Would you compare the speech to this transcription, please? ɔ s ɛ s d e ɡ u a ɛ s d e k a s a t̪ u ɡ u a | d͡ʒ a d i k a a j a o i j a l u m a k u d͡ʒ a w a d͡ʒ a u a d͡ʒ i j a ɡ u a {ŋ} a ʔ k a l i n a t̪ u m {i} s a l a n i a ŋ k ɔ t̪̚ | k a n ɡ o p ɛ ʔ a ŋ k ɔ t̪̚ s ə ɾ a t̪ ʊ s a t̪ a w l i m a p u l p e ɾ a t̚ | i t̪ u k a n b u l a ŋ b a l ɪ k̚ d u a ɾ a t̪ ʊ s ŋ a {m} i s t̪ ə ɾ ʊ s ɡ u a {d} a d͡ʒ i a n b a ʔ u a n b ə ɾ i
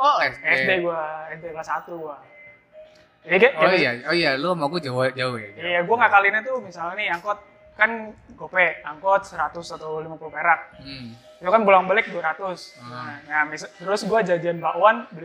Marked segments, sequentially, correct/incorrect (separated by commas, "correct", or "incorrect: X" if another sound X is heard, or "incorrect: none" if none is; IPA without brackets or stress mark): correct, correct, correct, incorrect: d͡ʒ